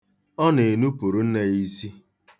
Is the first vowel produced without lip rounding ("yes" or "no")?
no